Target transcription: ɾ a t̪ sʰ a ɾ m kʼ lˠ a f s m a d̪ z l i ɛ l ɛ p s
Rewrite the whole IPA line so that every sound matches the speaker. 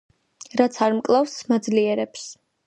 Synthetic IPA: ɾ a t̪ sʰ a ɾ m kʼ lˠ a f s m a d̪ z l i ɛ ɾ ɛ p s